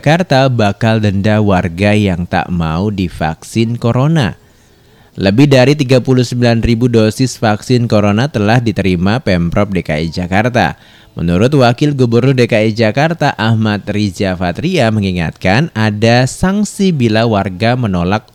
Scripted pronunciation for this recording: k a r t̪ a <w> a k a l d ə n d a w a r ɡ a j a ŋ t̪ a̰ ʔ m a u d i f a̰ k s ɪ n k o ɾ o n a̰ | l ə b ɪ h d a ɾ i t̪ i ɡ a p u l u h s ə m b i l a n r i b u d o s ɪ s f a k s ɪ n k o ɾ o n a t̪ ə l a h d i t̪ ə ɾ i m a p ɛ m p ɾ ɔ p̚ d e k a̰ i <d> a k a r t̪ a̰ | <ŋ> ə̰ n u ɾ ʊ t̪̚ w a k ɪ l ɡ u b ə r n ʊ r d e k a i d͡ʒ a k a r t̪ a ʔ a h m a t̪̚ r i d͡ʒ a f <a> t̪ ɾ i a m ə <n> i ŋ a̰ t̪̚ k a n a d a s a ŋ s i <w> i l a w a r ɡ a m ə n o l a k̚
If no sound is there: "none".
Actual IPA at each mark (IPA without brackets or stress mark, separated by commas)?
b, d͡ʒ, m, a, ŋ, b